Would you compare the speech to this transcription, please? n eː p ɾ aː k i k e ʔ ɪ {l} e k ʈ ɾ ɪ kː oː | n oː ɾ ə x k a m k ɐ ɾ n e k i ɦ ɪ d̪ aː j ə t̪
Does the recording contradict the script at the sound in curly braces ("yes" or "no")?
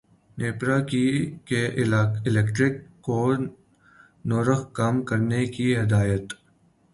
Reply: no